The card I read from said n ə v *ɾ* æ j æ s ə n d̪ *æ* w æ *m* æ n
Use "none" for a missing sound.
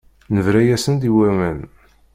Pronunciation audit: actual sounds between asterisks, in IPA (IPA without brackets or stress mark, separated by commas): ɾ, i, m